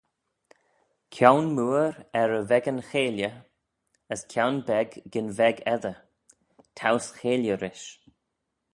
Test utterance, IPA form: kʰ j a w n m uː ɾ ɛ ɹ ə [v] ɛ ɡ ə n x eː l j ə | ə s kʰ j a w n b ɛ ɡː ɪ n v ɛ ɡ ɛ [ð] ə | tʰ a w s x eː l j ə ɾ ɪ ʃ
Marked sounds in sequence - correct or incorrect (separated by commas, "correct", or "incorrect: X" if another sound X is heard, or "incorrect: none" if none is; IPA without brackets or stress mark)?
correct, correct